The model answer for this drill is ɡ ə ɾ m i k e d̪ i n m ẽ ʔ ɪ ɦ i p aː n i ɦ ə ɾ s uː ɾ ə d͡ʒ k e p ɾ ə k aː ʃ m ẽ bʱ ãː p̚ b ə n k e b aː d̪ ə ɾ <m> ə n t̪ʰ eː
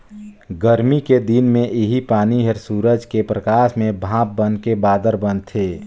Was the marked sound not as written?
yes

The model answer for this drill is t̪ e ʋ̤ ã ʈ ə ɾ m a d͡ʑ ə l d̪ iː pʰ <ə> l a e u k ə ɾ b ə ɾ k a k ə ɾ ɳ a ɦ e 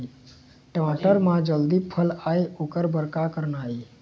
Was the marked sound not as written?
no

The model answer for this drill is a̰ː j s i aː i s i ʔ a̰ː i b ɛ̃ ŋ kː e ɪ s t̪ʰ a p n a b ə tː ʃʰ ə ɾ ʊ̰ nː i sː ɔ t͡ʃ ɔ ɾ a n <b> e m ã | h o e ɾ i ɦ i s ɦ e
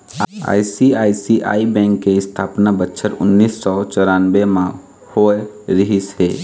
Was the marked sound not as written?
no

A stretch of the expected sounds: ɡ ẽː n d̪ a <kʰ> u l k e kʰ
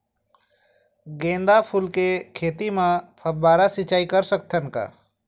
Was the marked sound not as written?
yes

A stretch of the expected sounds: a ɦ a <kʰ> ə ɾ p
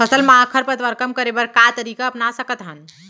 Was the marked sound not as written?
no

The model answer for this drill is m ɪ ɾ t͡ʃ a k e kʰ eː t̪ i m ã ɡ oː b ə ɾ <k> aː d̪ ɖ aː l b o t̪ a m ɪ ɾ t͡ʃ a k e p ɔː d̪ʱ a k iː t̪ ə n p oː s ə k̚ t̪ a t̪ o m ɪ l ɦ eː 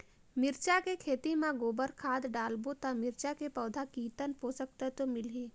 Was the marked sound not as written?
yes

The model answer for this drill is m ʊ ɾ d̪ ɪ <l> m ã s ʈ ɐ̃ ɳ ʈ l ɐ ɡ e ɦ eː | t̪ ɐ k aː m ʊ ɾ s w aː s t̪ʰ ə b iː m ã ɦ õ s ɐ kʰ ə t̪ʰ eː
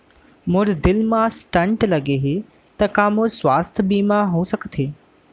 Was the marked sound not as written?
no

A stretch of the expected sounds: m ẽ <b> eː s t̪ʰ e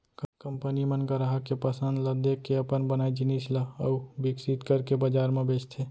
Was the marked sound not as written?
no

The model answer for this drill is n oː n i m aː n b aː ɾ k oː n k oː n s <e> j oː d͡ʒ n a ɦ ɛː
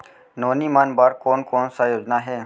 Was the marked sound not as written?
yes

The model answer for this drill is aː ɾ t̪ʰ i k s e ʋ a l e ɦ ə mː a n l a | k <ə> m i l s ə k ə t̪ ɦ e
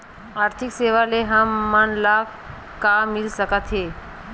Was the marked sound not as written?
yes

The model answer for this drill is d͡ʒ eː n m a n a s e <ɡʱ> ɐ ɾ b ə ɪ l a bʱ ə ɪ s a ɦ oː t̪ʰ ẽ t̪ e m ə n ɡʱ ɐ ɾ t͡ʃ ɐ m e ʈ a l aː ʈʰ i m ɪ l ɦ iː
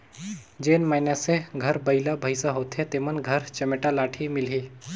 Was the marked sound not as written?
no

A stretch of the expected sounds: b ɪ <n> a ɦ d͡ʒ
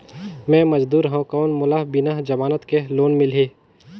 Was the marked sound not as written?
no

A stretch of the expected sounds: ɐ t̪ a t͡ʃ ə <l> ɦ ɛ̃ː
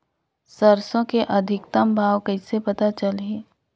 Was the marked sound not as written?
no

